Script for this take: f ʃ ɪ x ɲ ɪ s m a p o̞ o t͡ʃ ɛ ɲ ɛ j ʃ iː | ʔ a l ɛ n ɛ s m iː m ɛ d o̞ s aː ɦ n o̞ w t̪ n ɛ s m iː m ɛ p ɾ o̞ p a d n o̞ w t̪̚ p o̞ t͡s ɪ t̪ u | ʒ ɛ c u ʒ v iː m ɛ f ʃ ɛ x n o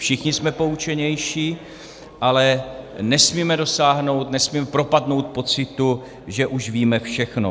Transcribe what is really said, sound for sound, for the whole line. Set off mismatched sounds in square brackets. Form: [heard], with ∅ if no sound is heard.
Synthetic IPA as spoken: f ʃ ɪ x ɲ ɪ s m [ɛ] p o̞ [u] t͡ʃ ɛ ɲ ɛ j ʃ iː | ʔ a l ɛ n ɛ s m iː m ɛ d o̞ s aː ɦ n o̞ w t̪ n ɛ s m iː m ɛ p ɾ o̞ p a d n o̞ w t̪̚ p o̞ t͡s ɪ t̪ u | ʒ ɛ [ʔ] u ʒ v iː m ɛ f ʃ ɛ x n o